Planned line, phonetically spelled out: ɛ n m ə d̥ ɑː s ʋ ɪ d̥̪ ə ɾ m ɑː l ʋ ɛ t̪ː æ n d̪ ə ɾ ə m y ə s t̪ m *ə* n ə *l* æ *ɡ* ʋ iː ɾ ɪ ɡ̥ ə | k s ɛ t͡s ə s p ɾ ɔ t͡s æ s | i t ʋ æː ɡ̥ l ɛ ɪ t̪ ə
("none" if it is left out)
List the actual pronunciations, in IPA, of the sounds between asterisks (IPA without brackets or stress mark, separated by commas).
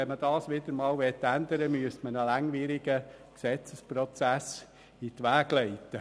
ə, l, ŋ